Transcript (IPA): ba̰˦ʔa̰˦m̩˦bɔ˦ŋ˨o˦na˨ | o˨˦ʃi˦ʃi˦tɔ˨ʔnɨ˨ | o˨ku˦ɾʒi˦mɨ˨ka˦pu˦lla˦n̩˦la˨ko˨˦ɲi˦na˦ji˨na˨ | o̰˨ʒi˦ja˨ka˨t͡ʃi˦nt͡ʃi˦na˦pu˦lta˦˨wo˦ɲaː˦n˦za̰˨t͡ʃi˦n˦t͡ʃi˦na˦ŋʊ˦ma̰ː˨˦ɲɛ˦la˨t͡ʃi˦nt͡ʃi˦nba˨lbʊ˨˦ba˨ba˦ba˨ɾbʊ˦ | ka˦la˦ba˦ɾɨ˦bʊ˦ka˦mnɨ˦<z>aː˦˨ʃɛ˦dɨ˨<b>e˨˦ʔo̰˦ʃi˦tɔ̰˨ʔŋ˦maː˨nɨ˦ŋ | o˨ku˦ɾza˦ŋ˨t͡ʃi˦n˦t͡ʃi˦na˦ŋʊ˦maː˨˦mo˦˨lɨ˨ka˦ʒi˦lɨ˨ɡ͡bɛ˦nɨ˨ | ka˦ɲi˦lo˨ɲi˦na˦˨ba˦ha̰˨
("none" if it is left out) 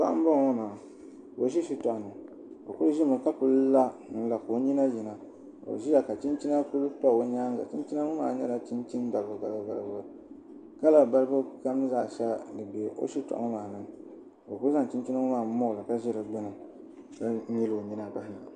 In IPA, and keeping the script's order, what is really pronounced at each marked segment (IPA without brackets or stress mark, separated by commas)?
z, b